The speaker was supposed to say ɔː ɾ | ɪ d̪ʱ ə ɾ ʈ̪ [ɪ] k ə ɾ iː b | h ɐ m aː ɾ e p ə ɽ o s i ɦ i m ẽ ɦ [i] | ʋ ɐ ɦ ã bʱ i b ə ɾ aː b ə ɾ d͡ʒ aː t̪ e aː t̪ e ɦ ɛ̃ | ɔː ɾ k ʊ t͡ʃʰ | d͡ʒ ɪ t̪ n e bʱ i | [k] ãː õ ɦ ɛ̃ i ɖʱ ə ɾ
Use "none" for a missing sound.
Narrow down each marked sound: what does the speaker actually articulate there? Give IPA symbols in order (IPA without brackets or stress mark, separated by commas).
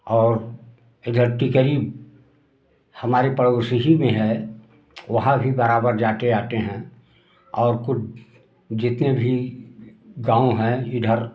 i, ɛ, ɡ